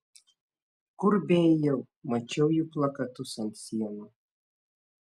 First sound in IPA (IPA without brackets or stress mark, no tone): k